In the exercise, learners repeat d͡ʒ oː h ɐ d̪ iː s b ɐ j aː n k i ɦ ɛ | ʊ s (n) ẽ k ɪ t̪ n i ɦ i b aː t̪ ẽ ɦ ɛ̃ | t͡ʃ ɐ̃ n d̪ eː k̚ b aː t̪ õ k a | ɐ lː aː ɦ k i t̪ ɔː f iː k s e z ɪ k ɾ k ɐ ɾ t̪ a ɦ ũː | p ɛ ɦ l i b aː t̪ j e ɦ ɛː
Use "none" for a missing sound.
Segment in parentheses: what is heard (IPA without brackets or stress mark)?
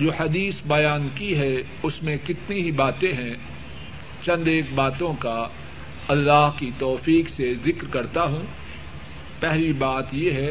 m